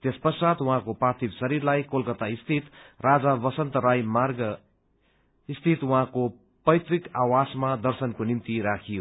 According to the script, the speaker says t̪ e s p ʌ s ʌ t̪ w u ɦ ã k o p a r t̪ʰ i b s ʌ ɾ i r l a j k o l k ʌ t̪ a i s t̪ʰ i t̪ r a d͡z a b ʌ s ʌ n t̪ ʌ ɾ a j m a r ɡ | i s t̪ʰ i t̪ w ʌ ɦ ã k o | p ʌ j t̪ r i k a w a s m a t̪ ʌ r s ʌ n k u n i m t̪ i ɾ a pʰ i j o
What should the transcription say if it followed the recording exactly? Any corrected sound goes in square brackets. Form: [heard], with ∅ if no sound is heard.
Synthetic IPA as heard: t̪ e s p ʌ s [a] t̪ w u ɦ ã k o p a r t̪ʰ i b s ʌ ɾ i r l a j k o l k ʌ t̪ a i s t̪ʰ i t̪ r a d͡z a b ʌ s ʌ n t̪ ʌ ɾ a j m a r ɡ | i s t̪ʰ i t̪ w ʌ ɦ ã k o | p ʌ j t̪ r i k a w a s m a [d̪] ʌ r s ʌ n k [o] n i m t̪ i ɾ a [kʰ] i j o